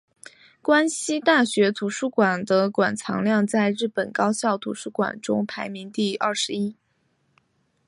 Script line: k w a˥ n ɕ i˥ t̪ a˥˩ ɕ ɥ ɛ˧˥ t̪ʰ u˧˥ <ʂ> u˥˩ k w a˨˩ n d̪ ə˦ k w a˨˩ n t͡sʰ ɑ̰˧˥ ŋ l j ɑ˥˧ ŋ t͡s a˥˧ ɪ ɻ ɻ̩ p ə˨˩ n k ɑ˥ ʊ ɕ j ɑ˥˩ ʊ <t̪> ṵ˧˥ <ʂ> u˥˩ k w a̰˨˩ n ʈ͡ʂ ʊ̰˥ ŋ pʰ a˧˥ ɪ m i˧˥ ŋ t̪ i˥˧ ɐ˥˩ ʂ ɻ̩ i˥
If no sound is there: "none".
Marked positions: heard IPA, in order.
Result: ʂ, t̪ʰ, ʂ

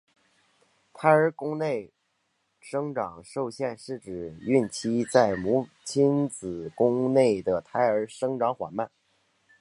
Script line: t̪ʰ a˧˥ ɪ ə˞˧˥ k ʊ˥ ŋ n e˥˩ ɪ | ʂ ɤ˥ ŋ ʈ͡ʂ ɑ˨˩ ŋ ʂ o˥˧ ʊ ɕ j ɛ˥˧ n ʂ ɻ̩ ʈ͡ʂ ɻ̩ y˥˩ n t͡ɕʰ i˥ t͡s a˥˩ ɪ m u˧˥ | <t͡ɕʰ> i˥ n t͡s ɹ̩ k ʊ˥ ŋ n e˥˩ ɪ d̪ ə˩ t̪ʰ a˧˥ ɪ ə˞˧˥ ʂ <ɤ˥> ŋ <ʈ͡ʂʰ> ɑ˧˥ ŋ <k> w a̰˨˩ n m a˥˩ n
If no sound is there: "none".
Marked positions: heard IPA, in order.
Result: t͡ɕʰ, ɤ˥, ʈ͡ʂ, x

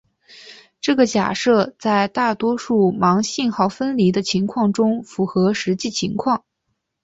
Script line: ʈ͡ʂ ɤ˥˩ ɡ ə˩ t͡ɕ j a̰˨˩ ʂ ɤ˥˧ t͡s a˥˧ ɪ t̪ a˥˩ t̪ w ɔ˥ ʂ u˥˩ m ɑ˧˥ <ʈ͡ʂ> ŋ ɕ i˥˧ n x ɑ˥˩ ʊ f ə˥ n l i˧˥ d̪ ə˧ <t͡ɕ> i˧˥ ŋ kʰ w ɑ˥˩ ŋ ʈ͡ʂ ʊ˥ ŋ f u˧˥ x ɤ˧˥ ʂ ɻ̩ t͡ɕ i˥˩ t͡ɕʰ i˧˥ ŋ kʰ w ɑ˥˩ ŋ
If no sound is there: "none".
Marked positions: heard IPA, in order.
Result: none, t͡ɕʰ

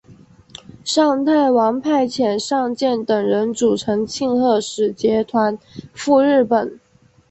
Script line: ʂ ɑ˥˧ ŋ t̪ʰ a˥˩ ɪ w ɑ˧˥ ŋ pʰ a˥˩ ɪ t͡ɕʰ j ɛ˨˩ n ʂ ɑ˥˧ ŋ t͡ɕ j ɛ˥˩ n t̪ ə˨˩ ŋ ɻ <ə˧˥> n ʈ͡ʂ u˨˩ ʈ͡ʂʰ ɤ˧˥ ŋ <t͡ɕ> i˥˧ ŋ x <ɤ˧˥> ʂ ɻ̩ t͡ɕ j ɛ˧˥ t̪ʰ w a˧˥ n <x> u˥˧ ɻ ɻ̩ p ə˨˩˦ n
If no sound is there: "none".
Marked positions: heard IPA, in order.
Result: ə˧˥, t͡ɕʰ, ɤ˥˩, f

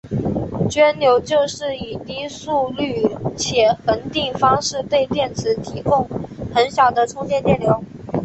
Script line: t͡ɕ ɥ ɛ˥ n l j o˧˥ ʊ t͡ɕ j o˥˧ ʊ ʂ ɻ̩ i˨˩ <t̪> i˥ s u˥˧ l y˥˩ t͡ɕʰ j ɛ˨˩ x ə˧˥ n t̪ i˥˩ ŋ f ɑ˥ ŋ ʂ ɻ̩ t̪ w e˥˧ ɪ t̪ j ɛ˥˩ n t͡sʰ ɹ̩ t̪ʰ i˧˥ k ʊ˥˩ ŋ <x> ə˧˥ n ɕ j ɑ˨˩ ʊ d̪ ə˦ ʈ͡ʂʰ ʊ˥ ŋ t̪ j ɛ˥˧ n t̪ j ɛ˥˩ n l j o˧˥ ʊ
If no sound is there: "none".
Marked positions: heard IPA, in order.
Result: t̪, x

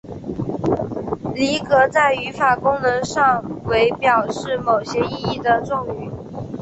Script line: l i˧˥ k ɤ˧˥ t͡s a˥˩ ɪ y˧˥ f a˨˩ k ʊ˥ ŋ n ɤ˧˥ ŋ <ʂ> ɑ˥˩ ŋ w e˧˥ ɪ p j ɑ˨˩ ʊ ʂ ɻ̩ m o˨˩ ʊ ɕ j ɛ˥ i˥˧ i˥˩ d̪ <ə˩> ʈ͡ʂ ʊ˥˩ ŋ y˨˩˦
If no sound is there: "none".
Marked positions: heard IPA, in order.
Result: ʂ, ə˩

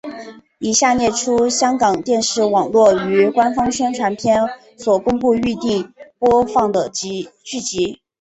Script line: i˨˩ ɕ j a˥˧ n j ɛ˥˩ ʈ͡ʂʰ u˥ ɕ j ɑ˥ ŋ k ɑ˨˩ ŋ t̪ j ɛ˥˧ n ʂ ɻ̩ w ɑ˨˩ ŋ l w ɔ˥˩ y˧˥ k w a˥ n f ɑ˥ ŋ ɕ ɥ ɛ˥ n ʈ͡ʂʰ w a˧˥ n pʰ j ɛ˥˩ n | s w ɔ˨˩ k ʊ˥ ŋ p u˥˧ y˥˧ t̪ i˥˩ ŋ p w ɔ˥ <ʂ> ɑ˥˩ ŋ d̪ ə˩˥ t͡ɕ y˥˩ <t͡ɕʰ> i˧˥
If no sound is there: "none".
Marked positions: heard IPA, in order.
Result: f, t͡ɕ

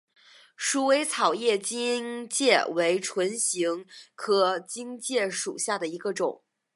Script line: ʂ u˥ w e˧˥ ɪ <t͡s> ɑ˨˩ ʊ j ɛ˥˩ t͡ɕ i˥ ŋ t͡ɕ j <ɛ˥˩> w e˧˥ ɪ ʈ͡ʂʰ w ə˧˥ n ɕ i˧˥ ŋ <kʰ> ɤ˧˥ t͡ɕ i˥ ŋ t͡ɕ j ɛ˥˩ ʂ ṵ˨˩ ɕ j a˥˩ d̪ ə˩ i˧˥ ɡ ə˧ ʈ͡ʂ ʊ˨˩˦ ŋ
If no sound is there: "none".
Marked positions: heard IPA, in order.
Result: t͡sʰ, ɛ˥˩, kʰ

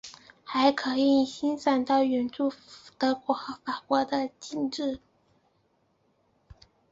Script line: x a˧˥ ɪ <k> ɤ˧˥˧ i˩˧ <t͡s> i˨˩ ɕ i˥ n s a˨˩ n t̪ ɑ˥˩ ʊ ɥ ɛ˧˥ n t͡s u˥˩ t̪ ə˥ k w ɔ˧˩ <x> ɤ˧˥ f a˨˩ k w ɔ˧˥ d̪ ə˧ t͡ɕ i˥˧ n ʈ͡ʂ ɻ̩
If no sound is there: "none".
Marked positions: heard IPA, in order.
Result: kʰ, none, x

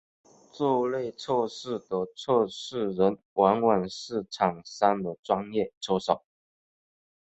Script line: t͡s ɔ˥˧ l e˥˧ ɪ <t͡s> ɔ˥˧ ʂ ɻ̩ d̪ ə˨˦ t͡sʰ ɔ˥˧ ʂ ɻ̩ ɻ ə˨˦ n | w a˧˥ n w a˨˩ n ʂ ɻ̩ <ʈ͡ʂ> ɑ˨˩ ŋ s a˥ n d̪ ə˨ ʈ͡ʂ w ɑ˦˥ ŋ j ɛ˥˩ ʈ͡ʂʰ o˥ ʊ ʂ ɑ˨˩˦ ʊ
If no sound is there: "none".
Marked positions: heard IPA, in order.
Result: t͡sʰ, ʈ͡ʂʰ

